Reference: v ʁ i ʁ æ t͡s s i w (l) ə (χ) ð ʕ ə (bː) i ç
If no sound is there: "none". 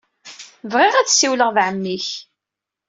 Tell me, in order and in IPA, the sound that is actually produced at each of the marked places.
l, ʁ, mː

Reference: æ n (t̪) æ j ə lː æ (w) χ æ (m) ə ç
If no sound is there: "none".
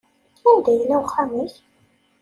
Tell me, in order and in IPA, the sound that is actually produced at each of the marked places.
d̪, w, m

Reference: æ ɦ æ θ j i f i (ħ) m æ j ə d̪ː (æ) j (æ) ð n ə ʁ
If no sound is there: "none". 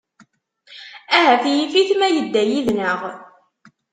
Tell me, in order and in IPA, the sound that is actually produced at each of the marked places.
θ, æ, i

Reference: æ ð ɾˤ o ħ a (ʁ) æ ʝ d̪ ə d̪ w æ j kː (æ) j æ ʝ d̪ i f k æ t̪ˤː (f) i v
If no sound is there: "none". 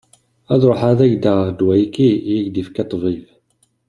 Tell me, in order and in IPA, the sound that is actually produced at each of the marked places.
ð, i, v

